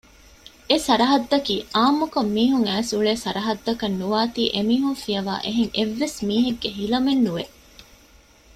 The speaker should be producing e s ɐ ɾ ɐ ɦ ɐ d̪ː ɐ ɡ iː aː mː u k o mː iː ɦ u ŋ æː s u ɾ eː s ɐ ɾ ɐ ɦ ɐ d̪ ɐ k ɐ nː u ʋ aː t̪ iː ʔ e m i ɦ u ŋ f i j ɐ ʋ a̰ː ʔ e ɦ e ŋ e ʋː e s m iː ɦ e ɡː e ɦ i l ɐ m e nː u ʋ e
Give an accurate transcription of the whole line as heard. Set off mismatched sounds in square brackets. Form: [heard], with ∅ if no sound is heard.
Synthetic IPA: e s ɐ ɾ ɐ ɦ ɐ d̪ː ɐ [k] iː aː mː u k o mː iː ɦ u ŋ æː s u [ɭ] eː s ɐ ɾ ɐ ɦ ɐ [d̪ː] ɐ k ɐ nː u ʋ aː t̪ iː ʔ e m [iː] ɦ u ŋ f i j ɐ ʋ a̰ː ʔ e ɦ e ŋ e ʋː e s m iː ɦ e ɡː e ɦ i l ɐ m e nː u ʋ e